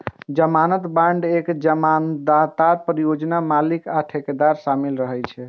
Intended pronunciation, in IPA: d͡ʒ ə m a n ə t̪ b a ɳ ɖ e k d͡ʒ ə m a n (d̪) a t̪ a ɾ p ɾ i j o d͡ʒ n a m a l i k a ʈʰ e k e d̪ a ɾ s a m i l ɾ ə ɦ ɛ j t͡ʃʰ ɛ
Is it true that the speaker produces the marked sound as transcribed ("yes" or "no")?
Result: yes